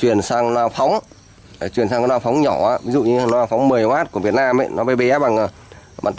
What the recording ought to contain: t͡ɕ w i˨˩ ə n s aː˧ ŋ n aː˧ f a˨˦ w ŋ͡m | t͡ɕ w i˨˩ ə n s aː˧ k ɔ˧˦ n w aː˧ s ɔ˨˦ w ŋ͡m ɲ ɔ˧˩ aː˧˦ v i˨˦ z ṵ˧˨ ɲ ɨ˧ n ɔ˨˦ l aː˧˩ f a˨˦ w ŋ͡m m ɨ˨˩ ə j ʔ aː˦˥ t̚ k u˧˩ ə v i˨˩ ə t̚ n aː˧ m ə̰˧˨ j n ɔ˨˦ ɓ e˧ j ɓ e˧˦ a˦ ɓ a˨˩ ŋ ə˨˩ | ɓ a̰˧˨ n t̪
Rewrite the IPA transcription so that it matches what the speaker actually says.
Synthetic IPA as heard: t͡ɕ w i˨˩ ə n s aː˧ ŋ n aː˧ f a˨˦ w ŋ͡m | t͡ɕ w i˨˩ ə n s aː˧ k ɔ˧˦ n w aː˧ f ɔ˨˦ w ŋ͡m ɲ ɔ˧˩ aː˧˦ v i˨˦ z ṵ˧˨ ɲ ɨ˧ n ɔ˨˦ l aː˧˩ f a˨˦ w ŋ͡m m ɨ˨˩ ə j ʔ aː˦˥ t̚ k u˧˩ ə v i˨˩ ə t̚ n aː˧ m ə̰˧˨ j n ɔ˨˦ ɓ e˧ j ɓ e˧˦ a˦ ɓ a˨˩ ŋ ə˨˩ | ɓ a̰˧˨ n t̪